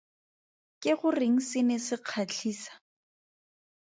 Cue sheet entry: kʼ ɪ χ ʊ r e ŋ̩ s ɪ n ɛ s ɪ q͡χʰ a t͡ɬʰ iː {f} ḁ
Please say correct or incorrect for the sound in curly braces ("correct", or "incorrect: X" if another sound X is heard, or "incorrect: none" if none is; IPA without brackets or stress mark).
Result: incorrect: s